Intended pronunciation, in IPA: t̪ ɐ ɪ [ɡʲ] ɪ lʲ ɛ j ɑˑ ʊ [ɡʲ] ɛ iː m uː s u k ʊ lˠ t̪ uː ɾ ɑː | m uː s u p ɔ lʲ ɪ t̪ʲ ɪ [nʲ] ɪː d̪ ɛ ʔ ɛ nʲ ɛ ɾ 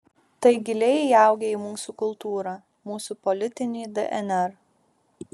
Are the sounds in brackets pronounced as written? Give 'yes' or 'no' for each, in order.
yes, yes, yes

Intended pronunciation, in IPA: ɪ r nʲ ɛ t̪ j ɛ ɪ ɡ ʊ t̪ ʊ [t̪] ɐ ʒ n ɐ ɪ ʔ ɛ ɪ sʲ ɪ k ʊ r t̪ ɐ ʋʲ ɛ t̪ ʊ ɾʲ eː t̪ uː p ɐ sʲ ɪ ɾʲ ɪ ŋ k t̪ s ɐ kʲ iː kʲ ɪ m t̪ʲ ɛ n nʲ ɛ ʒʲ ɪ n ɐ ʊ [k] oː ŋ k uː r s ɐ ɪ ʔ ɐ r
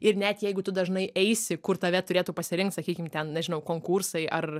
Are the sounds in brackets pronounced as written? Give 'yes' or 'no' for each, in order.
no, yes

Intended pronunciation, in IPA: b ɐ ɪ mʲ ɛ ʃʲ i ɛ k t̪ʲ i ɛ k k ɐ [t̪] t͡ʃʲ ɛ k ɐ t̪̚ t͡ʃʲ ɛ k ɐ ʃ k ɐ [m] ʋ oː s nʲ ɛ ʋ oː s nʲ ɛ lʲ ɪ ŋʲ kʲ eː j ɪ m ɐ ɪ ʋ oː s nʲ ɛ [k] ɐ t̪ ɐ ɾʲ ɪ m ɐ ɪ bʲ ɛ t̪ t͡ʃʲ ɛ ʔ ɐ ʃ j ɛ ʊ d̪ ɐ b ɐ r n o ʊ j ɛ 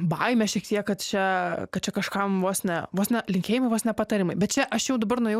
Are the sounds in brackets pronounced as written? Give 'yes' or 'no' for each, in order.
yes, yes, no

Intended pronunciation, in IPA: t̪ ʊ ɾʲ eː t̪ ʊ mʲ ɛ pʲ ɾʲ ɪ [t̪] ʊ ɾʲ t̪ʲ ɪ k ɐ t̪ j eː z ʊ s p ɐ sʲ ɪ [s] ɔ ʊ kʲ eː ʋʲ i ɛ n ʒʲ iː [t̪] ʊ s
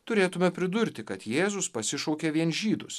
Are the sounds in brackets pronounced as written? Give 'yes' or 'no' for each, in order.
no, no, no

